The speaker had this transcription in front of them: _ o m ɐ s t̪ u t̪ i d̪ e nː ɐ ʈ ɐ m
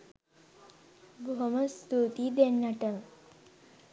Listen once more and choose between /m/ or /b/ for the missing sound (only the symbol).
b